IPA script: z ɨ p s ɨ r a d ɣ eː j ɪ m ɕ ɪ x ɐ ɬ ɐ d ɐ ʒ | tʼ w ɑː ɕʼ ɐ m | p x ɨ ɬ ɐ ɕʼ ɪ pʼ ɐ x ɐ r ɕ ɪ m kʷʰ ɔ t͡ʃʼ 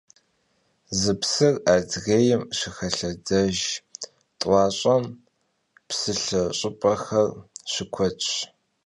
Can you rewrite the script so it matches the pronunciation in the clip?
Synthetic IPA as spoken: z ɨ p s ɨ r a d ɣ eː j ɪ m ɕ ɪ x ɐ ɬ ɐ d ɐ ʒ | tʼ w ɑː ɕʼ ɐ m | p s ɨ ɬ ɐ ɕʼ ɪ pʼ ɐ x ɐ r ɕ ɪ kʷʰ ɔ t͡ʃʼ